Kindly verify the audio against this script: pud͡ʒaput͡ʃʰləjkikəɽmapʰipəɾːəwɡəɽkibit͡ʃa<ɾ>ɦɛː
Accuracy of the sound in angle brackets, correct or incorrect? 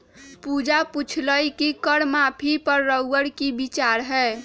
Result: correct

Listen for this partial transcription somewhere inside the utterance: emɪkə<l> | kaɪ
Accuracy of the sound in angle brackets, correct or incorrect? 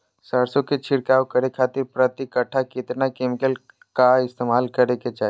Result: correct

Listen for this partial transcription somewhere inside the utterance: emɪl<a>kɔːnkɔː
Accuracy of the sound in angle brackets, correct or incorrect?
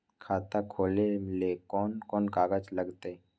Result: incorrect: e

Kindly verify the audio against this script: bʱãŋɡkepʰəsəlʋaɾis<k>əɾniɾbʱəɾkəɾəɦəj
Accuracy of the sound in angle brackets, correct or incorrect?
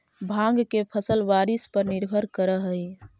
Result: incorrect: p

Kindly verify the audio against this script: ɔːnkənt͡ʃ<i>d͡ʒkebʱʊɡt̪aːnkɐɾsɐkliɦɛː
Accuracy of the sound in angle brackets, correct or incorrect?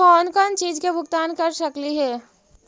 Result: incorrect: iː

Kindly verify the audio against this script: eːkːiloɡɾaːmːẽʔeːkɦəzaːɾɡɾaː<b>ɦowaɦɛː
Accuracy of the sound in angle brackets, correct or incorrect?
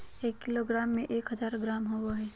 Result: incorrect: m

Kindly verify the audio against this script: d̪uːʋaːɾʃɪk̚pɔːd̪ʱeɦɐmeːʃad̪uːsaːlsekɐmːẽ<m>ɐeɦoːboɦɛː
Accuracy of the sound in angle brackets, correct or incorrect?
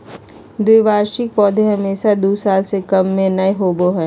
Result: incorrect: n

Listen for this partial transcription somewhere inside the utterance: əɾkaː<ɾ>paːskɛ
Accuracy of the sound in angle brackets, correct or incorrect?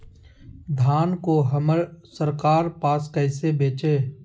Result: correct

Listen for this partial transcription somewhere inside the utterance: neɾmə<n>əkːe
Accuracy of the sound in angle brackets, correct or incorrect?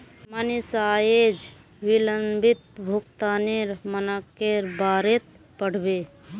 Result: correct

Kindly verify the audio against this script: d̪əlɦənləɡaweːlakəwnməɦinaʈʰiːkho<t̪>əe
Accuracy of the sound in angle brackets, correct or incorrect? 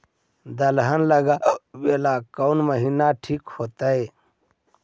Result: correct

